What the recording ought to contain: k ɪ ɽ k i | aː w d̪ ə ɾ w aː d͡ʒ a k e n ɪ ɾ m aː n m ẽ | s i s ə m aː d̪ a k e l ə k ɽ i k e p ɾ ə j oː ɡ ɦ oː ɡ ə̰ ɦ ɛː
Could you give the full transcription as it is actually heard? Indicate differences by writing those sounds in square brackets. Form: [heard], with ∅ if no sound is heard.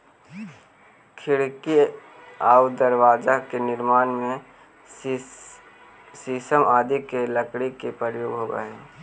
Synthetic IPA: [kʰ] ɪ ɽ k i | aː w d̪ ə ɾ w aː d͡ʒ a k e n ɪ ɾ m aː n m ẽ | s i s ə m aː d̪ [i] k e l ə k ɽ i k e p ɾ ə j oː ɡ ɦ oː ɡ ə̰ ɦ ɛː